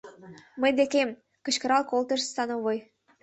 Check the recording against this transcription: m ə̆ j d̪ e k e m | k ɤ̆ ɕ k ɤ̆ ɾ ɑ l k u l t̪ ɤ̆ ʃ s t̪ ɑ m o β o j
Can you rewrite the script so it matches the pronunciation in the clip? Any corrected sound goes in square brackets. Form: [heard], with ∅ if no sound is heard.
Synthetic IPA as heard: m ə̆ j d̪ e k e m | k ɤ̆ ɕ k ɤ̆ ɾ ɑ l k [o] l t̪ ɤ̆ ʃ s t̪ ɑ [n] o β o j